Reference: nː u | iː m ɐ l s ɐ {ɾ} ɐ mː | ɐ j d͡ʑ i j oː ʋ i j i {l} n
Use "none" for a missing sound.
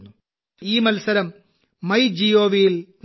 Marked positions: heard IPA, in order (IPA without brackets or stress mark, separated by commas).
ɾ, l